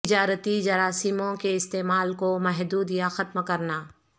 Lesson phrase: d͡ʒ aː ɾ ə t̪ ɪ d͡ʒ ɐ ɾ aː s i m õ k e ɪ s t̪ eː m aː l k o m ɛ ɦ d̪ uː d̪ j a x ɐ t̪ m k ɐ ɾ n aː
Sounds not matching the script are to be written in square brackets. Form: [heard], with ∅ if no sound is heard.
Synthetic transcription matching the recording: d͡ʒ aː ɾ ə t̪ [i] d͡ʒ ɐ ɾ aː s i m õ k e ɪ s t̪ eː m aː l k o m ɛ ɦ d̪ uː d̪ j a x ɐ t̪ m k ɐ ɾ n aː